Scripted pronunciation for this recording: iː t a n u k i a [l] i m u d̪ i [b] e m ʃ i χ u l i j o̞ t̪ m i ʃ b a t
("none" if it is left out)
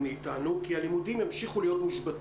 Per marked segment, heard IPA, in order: l, m

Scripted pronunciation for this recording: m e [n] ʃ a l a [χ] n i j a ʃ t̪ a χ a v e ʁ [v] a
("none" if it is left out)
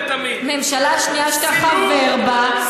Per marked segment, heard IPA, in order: m, ʃ, b

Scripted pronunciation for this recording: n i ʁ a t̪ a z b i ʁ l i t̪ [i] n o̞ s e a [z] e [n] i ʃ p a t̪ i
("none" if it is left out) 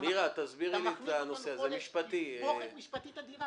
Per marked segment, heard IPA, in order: a, z, m

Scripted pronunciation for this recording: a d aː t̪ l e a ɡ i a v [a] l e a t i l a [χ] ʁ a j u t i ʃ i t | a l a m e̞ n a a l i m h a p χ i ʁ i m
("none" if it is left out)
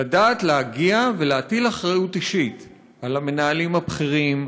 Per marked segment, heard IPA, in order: e, χ

